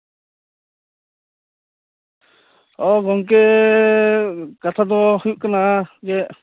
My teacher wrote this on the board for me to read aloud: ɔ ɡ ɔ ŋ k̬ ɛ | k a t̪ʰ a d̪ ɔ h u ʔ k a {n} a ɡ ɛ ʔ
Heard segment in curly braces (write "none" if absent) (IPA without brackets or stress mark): n